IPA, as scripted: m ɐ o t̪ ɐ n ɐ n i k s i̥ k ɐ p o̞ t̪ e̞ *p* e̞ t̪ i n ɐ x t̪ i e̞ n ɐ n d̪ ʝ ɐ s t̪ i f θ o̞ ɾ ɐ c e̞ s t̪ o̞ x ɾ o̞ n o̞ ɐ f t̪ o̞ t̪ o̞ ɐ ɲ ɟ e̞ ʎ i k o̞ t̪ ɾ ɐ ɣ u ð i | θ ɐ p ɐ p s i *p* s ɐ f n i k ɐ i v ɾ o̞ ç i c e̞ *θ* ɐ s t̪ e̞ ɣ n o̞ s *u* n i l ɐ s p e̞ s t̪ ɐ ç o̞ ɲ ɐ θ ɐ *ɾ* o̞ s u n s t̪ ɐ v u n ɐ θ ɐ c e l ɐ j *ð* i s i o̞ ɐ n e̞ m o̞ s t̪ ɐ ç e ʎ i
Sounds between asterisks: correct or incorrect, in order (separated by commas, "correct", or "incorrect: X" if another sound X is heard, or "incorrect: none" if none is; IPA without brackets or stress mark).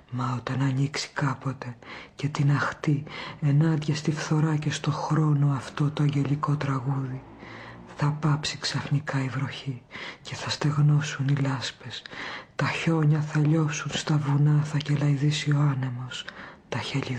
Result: incorrect: c, incorrect: k, correct, correct, incorrect: ʎ, correct